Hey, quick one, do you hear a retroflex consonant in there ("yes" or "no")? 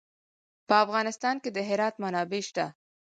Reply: no